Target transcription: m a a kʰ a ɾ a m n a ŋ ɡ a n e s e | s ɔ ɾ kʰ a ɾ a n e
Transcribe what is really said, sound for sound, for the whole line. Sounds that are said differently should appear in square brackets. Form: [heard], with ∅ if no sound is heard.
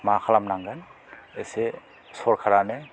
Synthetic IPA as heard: m a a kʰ a [l] a m n a ŋ ɡ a n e s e | s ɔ ɾ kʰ a ɾ a n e